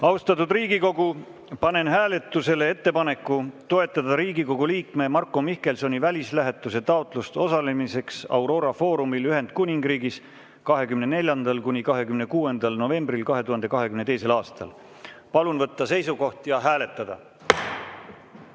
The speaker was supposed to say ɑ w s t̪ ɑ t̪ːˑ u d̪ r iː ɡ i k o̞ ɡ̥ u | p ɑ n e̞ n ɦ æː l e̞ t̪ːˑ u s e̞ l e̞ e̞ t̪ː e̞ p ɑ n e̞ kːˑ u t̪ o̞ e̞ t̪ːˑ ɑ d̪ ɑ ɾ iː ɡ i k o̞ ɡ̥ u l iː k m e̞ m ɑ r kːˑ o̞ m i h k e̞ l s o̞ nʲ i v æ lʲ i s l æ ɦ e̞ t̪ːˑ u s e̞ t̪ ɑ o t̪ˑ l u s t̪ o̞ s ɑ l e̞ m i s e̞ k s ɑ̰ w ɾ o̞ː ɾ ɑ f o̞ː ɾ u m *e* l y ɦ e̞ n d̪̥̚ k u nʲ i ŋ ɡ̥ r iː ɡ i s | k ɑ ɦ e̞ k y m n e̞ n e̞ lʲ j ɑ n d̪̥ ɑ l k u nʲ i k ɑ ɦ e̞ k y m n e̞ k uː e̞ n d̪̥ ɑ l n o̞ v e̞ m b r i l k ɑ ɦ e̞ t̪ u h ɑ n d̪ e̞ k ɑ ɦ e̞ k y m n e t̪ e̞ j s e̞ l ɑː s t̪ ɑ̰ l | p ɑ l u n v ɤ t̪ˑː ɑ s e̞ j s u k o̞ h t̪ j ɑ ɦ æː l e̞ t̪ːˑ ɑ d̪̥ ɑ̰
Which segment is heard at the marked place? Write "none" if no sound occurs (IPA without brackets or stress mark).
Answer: i